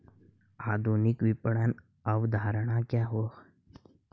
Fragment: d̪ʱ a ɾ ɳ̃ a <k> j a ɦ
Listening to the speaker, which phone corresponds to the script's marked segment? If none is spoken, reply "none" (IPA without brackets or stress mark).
k